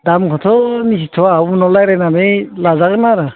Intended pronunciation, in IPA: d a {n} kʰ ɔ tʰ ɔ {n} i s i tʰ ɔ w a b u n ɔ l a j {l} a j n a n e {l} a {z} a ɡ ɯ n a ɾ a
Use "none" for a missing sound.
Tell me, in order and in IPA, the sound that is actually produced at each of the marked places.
m, n, ɾ, l, z

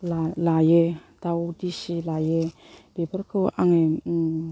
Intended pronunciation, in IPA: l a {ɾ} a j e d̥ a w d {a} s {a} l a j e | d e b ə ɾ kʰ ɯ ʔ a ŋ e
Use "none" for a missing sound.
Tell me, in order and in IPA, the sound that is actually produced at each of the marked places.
l, i, i

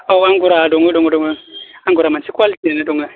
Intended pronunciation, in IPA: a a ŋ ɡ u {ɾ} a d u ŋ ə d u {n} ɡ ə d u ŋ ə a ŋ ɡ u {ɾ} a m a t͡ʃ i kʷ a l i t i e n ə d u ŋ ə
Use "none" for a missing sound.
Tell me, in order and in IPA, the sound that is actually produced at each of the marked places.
ɾ, ŋ, ɾ

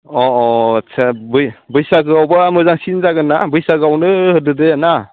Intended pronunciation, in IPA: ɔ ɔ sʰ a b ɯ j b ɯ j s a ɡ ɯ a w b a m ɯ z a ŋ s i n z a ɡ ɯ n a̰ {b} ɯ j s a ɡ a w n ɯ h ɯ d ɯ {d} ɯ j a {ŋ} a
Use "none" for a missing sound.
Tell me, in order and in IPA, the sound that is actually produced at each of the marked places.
b, d, n

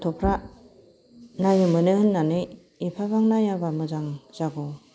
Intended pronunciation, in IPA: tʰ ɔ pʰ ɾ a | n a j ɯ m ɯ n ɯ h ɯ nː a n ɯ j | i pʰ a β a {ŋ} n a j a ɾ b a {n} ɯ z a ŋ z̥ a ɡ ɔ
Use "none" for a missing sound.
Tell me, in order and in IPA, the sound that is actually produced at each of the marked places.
ŋ, m

